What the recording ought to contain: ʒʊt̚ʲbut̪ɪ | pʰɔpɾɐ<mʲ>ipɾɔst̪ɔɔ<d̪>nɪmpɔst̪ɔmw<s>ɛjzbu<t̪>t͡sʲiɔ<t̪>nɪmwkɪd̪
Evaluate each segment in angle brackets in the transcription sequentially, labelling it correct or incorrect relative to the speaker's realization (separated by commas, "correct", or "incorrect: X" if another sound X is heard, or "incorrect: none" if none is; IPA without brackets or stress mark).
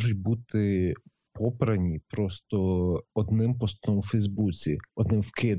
incorrect: nʲ, correct, incorrect: f, incorrect: none, incorrect: d̪